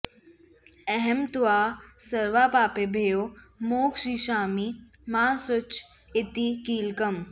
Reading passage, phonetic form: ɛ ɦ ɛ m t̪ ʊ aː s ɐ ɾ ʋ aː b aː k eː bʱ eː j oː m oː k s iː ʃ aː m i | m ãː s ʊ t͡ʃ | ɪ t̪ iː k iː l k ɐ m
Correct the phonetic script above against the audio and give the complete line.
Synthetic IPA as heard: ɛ ɦ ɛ m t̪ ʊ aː s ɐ ɾ ʋ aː p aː p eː bʱ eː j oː m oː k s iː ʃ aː m i | m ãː s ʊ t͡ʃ | ɪ t̪ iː k iː l k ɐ m